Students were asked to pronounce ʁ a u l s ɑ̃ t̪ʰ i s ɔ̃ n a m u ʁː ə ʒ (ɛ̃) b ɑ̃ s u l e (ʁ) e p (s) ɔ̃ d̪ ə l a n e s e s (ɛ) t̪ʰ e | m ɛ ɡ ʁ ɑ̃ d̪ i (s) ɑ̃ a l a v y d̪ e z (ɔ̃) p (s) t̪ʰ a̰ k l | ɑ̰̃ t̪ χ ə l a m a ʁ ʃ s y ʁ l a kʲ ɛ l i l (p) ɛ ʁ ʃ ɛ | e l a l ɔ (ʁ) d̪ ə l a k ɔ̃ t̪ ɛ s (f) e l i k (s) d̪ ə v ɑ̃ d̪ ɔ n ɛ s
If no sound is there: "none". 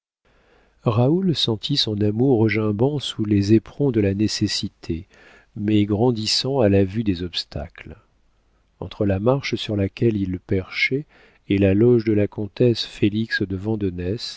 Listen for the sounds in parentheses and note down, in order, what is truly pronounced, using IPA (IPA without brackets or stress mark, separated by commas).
ɛ̃, z, χ, i, s, ɔ, s, p, ʒ, f, s